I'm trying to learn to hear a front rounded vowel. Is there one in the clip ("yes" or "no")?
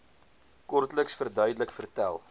yes